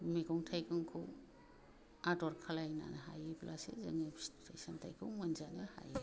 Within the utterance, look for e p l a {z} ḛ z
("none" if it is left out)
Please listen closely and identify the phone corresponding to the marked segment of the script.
s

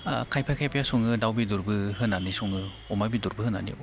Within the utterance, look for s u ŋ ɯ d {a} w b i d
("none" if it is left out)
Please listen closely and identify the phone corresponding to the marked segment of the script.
a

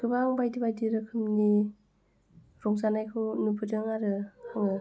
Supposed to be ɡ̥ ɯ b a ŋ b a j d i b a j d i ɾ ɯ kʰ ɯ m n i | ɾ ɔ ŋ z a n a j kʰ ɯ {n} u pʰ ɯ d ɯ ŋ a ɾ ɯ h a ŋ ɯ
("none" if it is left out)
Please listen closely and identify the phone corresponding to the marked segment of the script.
n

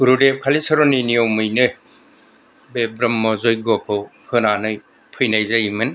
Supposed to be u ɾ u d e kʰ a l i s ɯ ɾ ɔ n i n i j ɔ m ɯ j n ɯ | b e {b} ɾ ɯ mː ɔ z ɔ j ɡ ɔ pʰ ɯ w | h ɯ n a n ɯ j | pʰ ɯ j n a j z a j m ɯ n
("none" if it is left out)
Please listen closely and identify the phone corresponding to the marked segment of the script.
b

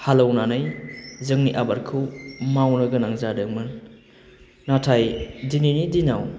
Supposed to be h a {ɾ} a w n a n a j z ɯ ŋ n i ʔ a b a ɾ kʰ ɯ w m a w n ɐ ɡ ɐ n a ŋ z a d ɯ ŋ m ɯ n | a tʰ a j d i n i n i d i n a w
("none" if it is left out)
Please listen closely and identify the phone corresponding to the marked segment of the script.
l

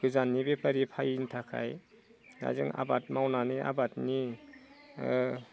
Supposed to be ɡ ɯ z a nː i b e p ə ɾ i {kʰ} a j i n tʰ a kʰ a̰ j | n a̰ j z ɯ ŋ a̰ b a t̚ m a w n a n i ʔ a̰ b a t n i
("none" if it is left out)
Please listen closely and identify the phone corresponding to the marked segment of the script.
pʰ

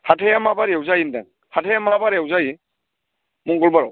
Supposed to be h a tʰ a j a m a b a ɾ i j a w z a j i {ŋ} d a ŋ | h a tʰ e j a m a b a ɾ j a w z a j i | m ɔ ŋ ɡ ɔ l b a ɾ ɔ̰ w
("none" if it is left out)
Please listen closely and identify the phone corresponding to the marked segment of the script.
n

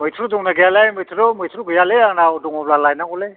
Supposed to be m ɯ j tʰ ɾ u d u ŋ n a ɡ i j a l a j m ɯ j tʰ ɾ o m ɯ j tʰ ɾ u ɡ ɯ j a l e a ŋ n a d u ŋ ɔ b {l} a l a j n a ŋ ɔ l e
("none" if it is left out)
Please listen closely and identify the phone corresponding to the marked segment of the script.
l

